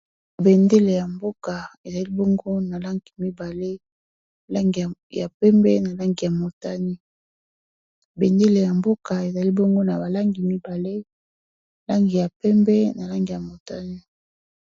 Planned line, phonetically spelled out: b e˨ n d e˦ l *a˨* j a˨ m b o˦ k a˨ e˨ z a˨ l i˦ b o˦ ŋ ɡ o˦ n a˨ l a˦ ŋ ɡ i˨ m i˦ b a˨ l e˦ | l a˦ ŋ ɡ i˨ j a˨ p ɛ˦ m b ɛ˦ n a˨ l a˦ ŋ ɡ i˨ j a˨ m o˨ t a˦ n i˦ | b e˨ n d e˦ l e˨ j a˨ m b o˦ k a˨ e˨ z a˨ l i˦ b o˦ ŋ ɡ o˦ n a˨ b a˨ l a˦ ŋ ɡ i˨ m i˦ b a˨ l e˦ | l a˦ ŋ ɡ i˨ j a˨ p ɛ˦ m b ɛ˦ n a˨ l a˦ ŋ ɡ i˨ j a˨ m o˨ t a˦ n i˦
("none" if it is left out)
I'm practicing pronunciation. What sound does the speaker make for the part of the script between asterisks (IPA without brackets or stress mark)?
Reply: e˨